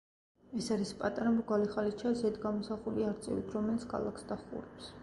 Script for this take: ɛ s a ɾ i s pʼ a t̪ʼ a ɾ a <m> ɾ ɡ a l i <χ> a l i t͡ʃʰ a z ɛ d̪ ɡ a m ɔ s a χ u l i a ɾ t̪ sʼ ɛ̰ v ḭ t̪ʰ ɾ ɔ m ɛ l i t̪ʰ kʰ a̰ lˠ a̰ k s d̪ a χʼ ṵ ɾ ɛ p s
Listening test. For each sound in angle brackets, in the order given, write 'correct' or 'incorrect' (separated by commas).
correct, correct